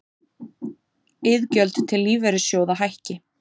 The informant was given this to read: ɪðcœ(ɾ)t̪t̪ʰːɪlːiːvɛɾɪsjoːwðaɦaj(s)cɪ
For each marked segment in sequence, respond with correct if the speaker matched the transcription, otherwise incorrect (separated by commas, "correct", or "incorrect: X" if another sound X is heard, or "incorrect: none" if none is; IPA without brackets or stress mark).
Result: incorrect: l, incorrect: h